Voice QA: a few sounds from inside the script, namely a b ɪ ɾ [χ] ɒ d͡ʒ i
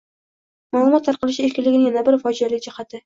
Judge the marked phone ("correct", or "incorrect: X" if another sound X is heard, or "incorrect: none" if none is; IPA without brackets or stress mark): incorrect: f